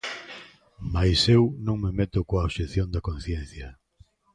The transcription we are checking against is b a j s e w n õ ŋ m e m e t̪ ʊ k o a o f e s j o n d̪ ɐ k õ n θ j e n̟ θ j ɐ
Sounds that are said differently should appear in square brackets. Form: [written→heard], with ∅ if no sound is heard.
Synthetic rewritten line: [b→m] a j s e w n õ ŋ m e m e t̪ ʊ k o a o [f→ʃ] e [s→θ] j o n d̪ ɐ k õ n θ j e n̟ θ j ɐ